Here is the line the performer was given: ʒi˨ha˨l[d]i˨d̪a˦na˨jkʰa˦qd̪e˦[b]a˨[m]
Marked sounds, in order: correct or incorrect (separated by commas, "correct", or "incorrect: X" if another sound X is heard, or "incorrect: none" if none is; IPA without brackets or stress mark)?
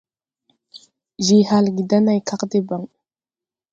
incorrect: ɡ, correct, incorrect: ŋ